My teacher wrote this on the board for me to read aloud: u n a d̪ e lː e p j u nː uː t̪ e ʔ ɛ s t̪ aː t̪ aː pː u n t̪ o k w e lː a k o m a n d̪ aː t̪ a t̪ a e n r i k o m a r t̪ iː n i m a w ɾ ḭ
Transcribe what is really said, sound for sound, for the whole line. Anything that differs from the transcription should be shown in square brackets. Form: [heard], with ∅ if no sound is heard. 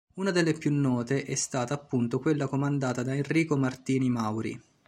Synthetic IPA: u n a d̪ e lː e p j u nː [ɔː] t̪ e ʔ ɛ s t̪ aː t̪ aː pː u n t̪ o k w e lː a k o m a n d̪ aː t̪ a [d̪] a e n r [iː] k o m a r t̪ iː n i m a w ɾ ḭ